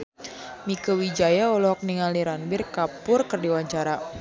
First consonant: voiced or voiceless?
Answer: voiced